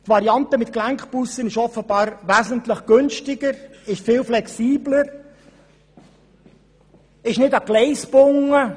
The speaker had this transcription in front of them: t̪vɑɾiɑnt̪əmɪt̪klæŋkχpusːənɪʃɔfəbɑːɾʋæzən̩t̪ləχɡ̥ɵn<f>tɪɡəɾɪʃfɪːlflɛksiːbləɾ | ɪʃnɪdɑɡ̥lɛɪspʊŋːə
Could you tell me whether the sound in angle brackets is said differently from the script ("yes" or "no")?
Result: yes